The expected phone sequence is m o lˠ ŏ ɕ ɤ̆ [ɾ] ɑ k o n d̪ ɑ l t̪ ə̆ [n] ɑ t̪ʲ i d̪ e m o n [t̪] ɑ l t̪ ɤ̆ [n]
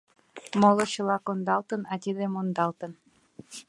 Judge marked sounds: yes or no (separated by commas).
no, yes, no, yes